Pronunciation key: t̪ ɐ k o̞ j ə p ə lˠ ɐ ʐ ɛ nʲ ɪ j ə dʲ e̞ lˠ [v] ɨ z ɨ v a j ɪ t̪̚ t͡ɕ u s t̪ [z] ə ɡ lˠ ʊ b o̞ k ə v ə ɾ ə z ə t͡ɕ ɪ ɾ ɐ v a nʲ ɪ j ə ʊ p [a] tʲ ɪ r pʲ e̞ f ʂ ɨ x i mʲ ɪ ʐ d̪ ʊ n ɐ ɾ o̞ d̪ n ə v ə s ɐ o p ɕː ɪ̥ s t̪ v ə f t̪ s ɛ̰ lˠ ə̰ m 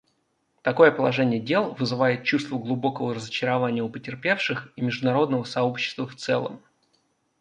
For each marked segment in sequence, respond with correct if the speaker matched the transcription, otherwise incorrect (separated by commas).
correct, incorrect, incorrect